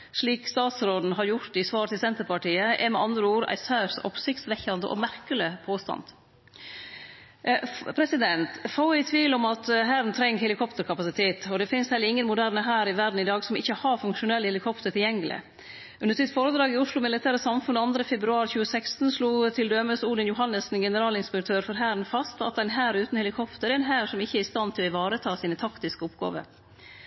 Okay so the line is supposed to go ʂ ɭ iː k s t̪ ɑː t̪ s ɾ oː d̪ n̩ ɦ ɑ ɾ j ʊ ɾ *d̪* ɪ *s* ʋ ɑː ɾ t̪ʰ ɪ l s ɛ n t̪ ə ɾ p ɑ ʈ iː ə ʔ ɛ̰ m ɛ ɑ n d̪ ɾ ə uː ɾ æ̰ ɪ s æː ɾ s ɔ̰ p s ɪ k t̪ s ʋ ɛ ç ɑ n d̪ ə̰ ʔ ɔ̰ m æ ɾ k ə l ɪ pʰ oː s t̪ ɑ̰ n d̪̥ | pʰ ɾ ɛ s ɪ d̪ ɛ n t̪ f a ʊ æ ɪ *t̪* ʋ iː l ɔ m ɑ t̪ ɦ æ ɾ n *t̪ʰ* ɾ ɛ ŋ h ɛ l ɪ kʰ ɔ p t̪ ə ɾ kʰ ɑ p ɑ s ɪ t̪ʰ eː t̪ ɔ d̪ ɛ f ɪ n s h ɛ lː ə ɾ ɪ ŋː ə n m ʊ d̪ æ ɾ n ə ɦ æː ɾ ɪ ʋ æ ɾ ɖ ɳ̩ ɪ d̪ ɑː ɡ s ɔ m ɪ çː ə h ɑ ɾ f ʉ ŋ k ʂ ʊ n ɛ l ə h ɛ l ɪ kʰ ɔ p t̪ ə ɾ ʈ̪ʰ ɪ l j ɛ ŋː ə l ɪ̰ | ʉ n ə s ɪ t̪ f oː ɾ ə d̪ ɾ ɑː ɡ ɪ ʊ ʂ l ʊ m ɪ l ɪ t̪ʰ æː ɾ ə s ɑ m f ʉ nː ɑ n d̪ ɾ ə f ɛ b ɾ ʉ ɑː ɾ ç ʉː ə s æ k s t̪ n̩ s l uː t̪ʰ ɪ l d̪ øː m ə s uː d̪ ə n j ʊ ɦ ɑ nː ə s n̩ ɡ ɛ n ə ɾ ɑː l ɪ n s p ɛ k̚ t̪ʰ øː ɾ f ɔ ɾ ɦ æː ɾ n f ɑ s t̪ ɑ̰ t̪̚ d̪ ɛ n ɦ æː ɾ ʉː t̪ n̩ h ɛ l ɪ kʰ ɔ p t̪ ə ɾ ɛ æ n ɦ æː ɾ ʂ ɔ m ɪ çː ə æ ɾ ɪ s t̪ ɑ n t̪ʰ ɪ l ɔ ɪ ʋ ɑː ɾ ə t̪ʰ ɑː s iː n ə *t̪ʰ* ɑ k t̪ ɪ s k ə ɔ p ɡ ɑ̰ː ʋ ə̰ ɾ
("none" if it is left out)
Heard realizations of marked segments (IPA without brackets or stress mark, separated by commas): t̪, s, t̪ʰ, t̪ʰ, t̪ʰ